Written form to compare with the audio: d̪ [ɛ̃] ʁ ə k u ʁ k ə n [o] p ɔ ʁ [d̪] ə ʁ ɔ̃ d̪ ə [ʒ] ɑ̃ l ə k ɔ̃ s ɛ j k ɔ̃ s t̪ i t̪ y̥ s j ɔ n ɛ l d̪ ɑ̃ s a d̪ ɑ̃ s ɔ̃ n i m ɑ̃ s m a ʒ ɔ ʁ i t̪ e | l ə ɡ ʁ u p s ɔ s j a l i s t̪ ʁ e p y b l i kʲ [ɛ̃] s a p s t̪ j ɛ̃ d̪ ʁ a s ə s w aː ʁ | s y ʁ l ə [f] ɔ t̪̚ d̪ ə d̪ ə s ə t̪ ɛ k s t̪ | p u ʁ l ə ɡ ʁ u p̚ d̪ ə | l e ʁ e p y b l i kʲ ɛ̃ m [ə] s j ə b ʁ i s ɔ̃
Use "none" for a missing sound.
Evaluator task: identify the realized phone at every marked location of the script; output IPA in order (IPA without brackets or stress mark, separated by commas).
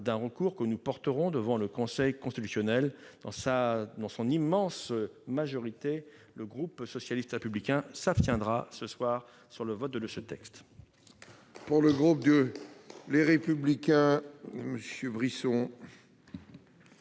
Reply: ɛ̃, u, t̪, v, ɛ̃, v, ə